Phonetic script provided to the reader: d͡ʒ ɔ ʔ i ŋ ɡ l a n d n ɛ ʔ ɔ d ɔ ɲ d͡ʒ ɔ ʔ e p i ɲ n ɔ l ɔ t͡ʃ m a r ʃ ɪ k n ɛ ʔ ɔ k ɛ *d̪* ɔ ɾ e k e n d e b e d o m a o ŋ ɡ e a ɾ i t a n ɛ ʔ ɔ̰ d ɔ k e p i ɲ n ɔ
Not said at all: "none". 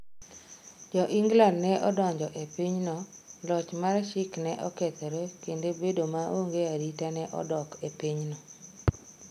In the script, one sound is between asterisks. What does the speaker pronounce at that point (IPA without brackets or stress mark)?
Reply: t̪